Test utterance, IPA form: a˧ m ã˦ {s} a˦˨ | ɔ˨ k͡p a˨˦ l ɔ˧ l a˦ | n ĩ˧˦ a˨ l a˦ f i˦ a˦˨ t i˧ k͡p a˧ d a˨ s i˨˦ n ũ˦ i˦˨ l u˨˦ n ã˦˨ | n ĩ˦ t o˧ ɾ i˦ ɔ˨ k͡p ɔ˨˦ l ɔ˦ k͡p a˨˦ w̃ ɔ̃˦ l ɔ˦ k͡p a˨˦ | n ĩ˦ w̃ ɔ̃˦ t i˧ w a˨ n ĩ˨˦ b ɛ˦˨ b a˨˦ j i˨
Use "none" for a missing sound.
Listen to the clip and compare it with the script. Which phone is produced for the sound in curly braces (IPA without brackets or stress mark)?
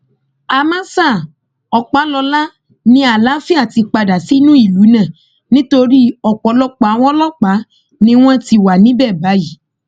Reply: s